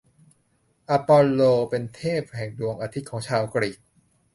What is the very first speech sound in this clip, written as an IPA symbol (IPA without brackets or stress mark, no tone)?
ʔ